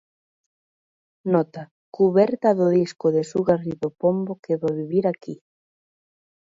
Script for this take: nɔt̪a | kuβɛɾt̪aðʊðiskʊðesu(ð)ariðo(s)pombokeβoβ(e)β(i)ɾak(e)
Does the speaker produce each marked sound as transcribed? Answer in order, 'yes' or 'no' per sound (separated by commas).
no, no, no, yes, no